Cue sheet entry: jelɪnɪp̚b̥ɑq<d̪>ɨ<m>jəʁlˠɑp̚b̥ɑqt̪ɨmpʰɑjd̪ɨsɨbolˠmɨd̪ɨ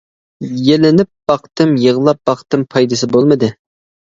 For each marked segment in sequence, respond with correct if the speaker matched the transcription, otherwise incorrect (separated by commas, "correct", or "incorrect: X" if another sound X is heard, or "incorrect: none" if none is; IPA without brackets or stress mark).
incorrect: t̪, correct